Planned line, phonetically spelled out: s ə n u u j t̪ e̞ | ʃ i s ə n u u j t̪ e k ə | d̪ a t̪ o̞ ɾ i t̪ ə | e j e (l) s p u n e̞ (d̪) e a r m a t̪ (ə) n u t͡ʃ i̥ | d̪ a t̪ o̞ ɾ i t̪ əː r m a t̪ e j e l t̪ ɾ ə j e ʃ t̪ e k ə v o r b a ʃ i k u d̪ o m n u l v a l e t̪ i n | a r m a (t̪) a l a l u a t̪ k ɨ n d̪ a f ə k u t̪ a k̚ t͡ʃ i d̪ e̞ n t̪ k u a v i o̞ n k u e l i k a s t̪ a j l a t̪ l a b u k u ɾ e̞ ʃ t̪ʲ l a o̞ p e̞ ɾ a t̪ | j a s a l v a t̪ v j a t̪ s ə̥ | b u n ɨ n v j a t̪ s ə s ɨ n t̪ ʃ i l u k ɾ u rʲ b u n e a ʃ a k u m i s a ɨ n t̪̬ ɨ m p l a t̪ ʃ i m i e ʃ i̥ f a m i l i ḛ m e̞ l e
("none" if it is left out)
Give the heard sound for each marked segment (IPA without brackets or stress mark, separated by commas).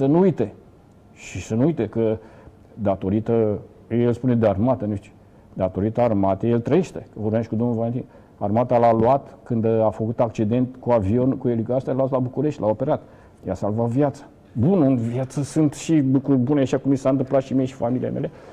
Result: l, d̪, ə, t̪